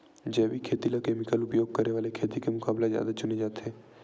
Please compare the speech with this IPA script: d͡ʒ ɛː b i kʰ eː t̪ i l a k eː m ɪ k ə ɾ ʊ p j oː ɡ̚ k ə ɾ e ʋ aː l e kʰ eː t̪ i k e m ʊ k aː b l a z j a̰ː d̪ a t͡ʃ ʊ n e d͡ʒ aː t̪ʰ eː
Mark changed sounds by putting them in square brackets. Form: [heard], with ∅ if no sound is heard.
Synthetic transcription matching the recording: d͡ʒ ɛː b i kʰ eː t̪ i l a k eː m ɪ k ə [l] ʊ p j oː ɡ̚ k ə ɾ e ʋ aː l e kʰ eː t̪ i k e m ʊ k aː b l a z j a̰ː d̪ a t͡ʃ ʊ n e d͡ʒ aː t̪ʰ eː